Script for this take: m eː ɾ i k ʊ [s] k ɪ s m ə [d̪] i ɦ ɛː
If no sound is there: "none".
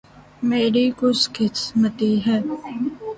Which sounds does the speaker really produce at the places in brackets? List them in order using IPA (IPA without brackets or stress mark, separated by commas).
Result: s, t̪